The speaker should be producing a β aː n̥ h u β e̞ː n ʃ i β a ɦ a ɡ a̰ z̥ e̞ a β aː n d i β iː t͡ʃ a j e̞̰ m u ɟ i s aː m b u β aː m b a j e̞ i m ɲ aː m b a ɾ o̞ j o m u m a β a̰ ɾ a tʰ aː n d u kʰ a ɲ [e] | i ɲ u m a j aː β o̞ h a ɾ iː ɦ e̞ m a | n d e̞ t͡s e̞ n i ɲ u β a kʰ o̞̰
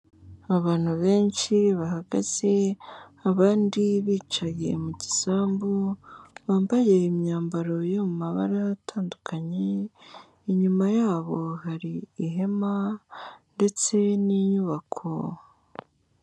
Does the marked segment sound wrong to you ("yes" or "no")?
no